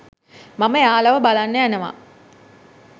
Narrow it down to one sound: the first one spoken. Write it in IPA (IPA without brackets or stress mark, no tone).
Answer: m